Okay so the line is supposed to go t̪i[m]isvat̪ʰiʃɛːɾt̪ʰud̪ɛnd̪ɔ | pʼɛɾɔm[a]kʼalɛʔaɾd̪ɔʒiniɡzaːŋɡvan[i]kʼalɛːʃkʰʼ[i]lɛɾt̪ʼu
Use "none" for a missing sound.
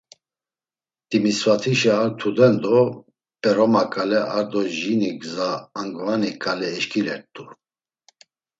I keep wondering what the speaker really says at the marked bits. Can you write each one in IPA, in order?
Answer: m, a, i, i

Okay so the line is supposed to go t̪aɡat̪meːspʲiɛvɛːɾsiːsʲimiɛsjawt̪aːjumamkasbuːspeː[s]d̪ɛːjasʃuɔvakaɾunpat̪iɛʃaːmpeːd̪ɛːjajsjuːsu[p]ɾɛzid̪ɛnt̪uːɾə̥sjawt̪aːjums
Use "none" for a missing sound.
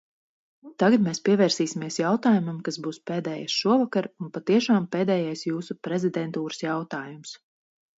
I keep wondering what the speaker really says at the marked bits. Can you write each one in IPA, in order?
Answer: none, p

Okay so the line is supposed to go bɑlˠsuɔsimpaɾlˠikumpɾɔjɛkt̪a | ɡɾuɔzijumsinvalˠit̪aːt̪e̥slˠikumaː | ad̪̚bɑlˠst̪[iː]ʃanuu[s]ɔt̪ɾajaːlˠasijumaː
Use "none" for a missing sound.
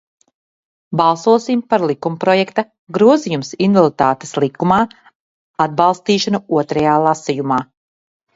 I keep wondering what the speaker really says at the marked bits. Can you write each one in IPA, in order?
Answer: iː, none

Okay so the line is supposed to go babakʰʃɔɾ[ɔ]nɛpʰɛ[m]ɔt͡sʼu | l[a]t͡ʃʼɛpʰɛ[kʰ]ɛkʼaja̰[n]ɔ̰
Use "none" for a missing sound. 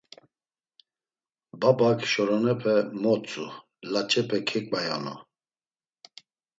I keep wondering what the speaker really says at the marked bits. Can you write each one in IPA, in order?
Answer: ɔ, m, a, kʰ, n

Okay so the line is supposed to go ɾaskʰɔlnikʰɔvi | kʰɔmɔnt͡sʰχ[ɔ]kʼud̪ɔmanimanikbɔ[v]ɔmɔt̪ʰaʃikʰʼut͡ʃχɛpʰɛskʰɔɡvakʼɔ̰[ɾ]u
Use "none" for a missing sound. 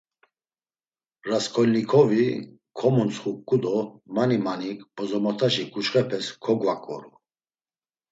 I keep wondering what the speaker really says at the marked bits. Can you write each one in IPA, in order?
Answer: u, z, ɾ

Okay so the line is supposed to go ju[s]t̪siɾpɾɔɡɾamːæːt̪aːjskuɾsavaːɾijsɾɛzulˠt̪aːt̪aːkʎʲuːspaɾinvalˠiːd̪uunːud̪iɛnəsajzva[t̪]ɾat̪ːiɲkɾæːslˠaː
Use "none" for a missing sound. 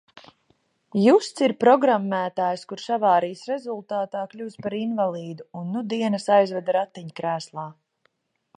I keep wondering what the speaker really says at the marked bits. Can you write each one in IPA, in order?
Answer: s, d̪

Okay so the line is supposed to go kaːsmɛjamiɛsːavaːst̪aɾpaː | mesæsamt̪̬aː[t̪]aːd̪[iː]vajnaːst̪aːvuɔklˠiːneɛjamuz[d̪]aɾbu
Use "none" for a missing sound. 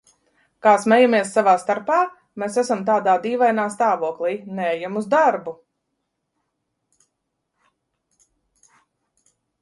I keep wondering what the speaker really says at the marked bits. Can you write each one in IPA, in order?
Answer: d̪, iː, d̪

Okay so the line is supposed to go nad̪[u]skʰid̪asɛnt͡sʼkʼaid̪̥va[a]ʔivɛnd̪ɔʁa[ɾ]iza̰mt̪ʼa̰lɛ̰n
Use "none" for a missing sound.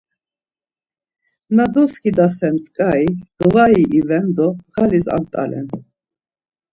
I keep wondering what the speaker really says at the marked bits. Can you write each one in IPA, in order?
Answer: ɔ, i, l

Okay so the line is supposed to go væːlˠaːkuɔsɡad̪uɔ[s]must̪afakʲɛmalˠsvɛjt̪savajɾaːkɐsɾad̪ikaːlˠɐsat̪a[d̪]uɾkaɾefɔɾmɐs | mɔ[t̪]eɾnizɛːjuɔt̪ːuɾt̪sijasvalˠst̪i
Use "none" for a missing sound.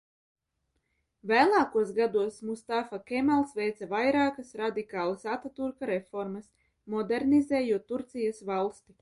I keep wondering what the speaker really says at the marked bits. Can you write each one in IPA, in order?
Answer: s, t̪, d̪

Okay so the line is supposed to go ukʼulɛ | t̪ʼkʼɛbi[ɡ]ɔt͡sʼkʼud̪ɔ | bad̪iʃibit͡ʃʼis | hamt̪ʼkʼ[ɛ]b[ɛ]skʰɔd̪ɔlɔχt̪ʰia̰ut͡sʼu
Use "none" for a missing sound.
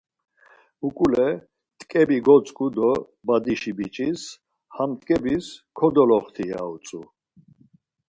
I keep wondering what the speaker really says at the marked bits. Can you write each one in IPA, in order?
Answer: ɡ, ɛ, i

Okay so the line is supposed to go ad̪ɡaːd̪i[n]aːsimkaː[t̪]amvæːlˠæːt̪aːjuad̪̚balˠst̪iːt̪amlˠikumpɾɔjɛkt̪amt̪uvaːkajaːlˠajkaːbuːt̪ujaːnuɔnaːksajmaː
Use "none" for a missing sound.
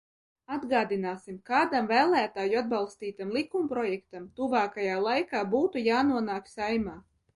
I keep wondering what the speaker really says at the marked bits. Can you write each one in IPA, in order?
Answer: n, d̪

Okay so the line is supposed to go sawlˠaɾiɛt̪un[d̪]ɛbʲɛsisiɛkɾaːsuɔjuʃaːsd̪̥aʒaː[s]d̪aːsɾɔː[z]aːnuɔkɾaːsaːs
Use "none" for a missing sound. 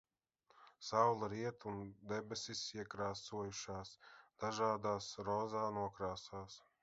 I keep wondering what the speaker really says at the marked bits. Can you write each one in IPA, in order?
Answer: d̪, none, z

